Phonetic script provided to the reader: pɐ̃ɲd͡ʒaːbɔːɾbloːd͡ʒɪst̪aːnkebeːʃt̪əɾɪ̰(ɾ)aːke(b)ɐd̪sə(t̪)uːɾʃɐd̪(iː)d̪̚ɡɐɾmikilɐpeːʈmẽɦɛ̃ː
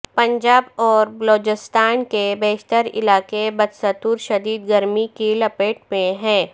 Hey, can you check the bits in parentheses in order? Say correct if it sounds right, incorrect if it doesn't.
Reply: incorrect: l, correct, correct, correct

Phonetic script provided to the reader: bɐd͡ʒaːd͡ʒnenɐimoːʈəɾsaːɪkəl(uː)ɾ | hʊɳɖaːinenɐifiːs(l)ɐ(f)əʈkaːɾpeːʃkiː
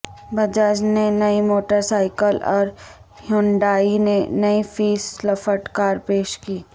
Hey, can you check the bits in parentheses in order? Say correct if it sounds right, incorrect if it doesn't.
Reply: incorrect: ɔː, correct, correct

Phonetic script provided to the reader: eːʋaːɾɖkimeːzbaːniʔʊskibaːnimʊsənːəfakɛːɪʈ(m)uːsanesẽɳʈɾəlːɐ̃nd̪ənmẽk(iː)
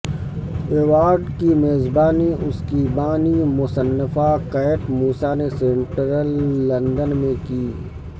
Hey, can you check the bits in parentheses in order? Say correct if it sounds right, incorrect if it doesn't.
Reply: correct, correct

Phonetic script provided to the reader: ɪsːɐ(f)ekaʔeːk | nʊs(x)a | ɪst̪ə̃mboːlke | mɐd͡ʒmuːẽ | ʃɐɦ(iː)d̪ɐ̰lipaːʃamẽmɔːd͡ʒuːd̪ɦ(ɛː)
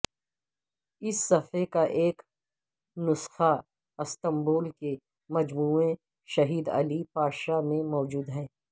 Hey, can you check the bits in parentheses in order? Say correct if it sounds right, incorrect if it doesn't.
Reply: correct, correct, correct, correct

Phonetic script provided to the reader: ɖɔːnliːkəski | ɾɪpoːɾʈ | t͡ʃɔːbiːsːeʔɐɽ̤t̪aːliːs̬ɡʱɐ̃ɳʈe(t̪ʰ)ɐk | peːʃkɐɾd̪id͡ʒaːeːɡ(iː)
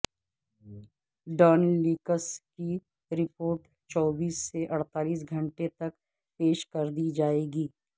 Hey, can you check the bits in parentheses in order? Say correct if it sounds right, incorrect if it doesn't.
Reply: incorrect: t̪, correct

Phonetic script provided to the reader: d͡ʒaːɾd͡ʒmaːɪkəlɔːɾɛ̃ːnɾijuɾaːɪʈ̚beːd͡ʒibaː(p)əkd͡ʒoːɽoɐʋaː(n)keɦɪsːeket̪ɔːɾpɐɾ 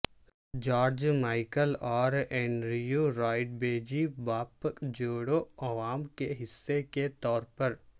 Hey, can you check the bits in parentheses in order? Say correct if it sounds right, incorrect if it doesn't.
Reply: correct, incorrect: m

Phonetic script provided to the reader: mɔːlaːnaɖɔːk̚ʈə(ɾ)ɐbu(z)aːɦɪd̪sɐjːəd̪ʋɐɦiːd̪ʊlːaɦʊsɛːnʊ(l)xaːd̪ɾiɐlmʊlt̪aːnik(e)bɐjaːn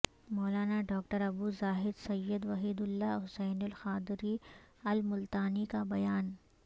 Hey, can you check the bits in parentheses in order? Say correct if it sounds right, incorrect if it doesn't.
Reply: correct, correct, correct, incorrect: a

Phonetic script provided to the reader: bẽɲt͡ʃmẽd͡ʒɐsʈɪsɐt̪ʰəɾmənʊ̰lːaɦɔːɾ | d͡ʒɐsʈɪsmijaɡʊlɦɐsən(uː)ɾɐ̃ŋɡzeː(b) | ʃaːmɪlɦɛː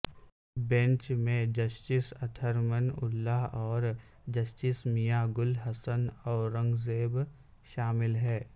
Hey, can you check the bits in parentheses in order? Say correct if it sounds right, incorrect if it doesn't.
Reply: incorrect: ɔː, correct

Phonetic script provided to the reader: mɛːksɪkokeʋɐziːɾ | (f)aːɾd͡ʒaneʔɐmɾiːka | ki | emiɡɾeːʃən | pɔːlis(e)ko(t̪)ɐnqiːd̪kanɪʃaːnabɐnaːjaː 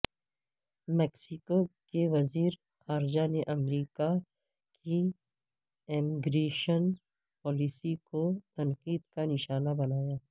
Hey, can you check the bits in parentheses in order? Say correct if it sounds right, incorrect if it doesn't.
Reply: incorrect: x, incorrect: i, correct

